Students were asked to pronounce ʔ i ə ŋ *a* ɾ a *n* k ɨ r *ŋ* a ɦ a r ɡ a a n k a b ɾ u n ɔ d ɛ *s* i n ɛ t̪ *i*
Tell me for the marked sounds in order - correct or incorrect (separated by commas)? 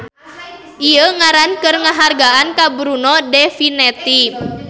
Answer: correct, correct, correct, incorrect, correct